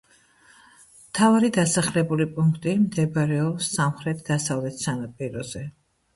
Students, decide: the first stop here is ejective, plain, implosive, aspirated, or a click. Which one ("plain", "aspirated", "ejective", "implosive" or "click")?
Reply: aspirated